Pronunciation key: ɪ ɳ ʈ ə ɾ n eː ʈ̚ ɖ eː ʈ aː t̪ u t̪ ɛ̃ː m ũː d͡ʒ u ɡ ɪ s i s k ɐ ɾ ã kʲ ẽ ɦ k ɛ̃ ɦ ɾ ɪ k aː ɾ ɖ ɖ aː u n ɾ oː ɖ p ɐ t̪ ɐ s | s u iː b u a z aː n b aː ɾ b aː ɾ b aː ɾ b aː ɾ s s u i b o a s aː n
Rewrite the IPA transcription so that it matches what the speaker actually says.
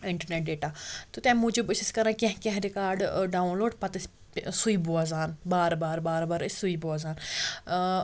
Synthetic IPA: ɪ ɳ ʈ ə ɾ n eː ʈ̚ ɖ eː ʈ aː t̪ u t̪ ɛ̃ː m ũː d͡ʒ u b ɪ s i s k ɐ ɾ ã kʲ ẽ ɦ k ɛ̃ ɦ ɾ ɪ k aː ɾ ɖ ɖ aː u n l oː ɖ p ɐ t̪ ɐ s | s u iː b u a z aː n b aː ɾ b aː ɾ b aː ɾ b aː ɾ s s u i b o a z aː n

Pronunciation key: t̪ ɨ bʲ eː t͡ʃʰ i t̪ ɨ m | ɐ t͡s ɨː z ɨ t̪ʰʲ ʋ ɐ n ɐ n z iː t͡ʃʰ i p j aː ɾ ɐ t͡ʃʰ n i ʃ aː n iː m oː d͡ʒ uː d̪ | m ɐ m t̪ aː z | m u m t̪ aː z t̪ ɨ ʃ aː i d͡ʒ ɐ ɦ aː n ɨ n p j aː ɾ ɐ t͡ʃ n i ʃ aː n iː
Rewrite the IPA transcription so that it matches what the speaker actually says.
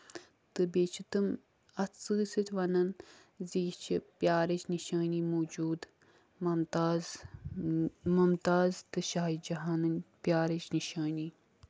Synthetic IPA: t̪ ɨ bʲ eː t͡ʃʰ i t̪ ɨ m | ɐ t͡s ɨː s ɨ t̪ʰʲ ʋ ɐ n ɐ n z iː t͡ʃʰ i p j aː ɾ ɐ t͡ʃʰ n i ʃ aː n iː m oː d͡ʒ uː d̪ | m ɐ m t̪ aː z | m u m t̪ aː z t̪ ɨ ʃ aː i d͡ʒ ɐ ɦ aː n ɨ n p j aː ɾ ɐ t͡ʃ n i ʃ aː n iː

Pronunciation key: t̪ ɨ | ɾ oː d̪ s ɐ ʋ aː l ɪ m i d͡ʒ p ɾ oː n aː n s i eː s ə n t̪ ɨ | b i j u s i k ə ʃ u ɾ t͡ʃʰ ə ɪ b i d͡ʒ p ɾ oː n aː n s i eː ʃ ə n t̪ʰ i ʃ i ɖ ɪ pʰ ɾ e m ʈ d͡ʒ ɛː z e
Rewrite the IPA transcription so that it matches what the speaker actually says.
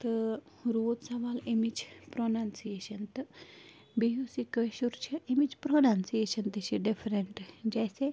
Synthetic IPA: t̪ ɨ | ɾ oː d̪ s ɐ ʋ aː l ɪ m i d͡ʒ p ɾ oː n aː n s i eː ʃ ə n t̪ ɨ | b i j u s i k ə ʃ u ɾ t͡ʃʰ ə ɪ m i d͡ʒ p ɾ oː n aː n s i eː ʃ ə n t̪ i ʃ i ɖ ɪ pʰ ɾ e ɳ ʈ d͡ʒ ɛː s e

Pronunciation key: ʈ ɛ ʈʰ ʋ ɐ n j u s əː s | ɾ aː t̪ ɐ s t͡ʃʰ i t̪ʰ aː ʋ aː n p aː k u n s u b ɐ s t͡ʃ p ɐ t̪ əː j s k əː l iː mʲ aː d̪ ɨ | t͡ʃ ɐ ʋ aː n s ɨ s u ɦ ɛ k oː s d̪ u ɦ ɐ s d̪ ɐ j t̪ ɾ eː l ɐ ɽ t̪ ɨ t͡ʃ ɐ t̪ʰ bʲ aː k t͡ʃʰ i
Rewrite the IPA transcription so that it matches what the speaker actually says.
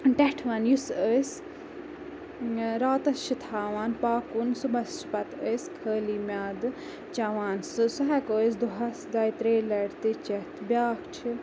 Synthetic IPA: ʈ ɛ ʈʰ ʋ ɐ n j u s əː s | ɾ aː t̪ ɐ s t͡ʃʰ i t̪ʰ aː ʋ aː n p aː k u n s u b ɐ s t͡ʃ p ɐ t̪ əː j s kʰ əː l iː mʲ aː d̪ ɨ | t͡ʃ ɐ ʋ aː n s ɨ s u ɦ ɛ k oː s d̪ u ɦ ɐ s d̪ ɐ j t̪ ɾ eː l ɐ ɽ t̪ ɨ t͡ʃ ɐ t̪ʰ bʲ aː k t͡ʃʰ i

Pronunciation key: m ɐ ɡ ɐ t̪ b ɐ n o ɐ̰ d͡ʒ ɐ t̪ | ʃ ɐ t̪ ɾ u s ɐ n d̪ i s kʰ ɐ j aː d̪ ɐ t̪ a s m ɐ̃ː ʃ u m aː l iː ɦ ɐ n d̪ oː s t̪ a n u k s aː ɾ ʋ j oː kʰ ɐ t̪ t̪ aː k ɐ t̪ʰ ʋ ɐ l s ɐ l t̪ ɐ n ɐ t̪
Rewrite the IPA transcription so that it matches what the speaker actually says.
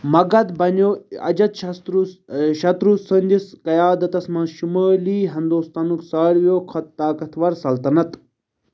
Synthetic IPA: m ɐ ɡ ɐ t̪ b ɐ n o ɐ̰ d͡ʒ ɐ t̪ | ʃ ɐ t̪ ɾ u s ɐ n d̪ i s k ɐ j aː d̪ ɐ t̪ ɐ s m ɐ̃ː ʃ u m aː l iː ɦ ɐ n d̪ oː s t̪ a n u k s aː ɾ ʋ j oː kʰ ɐ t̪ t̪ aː k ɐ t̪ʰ ʋ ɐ ɾ s ɐ l t̪ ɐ n ɐ t̪

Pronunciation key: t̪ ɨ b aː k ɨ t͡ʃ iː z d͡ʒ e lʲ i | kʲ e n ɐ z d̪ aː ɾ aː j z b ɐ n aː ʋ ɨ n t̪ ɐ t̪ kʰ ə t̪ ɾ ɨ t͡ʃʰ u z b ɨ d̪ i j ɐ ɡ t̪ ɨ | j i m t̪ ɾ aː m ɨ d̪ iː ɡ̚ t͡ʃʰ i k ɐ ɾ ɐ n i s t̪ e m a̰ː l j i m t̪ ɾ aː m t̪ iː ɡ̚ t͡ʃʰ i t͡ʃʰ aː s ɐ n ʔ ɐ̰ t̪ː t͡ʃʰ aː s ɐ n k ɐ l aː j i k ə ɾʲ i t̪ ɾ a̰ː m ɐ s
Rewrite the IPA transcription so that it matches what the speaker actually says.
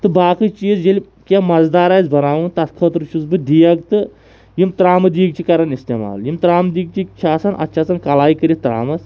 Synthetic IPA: t̪ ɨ b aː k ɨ t͡ʃ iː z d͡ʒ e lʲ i | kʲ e m ɐ z d̪ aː ɾ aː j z b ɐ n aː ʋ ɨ n t̪ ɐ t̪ kʰ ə t̪ ɾ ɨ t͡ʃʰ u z b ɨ d̪ i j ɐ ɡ t̪ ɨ | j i m t̪ ɾ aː m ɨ d̪ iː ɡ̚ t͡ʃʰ i k ɐ ɾ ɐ n i s t̪ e m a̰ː l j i m t̪ ɾ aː m d̪ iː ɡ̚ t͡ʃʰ i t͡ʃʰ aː s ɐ n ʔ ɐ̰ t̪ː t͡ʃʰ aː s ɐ n k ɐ l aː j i k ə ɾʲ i t̪ ɾ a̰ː m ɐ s

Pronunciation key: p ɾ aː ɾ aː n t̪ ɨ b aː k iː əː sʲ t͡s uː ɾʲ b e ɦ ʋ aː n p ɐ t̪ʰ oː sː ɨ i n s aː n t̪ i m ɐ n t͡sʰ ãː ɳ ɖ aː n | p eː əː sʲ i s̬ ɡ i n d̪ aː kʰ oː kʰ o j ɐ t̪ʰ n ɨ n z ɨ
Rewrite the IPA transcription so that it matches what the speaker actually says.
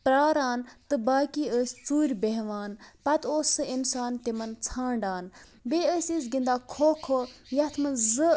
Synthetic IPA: p ɾ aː ɾ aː n t̪ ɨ b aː k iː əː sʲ t͡s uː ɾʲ b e ɦ ʋ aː n p ɐ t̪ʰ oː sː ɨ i n s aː n t̪ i m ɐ n t͡sʰ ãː ɳ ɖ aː n | b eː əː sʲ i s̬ ɡ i n d̪ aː kʰ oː kʰ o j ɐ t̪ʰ m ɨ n z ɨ

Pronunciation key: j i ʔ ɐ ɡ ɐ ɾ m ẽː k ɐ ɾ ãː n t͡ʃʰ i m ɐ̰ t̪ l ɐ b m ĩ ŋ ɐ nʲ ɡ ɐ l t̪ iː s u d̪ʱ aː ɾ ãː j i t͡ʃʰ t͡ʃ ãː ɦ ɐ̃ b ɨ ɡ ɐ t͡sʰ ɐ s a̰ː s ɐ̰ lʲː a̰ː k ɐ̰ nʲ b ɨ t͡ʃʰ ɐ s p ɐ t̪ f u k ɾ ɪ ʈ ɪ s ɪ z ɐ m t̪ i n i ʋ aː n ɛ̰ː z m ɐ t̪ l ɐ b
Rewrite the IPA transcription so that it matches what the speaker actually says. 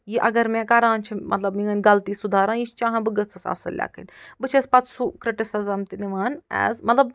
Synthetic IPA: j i ʔ ɐ ɡ ɐ ɾ m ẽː k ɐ ɾ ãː n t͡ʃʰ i m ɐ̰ t̪ l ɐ b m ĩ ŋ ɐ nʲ ɡ ɐ l t̪ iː s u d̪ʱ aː ɾ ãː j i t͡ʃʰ t͡ʃ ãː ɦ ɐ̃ b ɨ ɡ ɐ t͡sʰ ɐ s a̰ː s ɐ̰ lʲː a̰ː k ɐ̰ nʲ b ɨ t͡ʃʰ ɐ s p ɐ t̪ s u k ɾ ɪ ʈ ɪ s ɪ z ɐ m t̪ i n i ʋ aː n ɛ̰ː z m ɐ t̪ l ɐ b

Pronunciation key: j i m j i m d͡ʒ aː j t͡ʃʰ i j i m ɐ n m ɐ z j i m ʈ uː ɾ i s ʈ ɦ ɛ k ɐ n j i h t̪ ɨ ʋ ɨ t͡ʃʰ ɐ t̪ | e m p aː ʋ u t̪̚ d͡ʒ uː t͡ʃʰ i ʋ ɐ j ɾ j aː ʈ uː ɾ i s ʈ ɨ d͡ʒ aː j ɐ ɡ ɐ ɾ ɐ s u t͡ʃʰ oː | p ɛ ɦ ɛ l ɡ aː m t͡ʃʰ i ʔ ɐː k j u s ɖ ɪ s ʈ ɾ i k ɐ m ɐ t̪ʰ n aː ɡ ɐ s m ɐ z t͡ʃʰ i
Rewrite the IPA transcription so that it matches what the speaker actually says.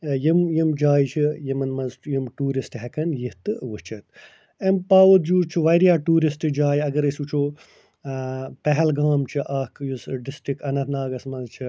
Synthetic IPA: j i m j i m d͡ʒ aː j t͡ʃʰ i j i m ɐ n m ɐ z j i m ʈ uː ɾ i s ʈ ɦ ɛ k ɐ n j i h t̪ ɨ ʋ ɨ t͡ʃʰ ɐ t̪ | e m p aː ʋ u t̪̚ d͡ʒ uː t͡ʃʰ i ʋ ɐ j ɾ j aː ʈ uː ɾ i s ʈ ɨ d͡ʒ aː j ɐ ɡ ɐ ɾ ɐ s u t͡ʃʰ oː | p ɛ ɦ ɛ l ɡ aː m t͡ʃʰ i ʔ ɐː k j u s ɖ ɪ s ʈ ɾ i k ɐ n ɐ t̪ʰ n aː ɡ ɐ s m ɐ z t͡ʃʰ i

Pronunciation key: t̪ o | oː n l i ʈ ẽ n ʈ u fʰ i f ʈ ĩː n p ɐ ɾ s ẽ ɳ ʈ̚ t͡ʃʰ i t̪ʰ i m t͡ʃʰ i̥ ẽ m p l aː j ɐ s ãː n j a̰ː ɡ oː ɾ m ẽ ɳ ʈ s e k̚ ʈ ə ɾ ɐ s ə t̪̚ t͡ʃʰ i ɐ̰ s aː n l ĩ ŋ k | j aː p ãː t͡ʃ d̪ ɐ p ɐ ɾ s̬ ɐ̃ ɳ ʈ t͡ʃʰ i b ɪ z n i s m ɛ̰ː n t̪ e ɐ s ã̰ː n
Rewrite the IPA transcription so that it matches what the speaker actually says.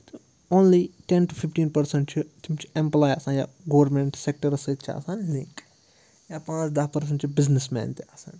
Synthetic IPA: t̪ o | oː n l i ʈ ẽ n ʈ u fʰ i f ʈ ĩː n p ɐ ɾ s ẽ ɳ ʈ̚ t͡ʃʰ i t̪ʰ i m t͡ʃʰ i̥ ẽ m p l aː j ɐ s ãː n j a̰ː ɡ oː ɾ m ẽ ɳ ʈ s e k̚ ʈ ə ɾ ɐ s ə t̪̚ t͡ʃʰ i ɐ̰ s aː n l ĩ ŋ k | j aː p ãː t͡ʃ d̪ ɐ p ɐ ɾ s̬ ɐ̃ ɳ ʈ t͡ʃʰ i b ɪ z n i s m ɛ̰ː n t̪ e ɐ s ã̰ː n

